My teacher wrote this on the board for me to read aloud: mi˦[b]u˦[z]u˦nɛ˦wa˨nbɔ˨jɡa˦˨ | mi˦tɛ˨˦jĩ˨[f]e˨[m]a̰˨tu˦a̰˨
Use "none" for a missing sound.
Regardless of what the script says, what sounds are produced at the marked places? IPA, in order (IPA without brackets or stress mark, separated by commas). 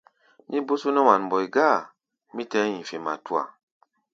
b, s, f, m